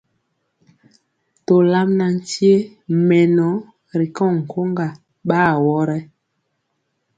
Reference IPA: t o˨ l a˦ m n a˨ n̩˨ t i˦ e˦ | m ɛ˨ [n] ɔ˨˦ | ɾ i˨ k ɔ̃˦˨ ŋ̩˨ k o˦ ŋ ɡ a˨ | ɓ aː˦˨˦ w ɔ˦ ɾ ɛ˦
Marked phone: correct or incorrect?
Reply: correct